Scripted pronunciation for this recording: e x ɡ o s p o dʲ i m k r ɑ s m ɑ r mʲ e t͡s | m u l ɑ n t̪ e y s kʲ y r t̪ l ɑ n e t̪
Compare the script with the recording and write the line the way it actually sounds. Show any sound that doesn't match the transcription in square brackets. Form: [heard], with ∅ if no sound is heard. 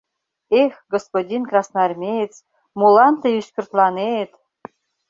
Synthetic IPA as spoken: e x ɡ o s p o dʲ i [n] k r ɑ s [n] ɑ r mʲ e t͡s | m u l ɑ n t̪ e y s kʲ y r t̪ l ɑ n e t̪